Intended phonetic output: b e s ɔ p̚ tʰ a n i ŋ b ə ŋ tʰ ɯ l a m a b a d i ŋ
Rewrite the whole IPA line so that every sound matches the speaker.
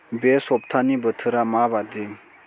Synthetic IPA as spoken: b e s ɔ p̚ tʰ a n i b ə tʰ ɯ ɾ a m a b a d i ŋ